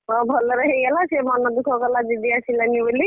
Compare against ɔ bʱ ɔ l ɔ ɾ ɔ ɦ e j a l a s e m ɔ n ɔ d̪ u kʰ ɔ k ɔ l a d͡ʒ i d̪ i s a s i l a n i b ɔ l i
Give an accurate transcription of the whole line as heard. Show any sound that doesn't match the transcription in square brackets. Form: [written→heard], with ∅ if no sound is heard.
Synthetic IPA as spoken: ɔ bʱ ɔ l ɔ ɾ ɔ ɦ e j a l a s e m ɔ n ɔ d̪ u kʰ ɔ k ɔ l a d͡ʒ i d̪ i [s→∅] a s i l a n i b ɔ l i